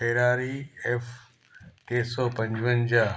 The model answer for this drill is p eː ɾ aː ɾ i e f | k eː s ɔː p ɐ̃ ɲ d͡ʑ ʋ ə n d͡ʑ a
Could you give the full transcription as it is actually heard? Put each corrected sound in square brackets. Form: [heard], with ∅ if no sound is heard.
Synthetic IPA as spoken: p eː ɾ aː ɾ i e f | k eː s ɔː p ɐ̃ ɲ d͡ʑ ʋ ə n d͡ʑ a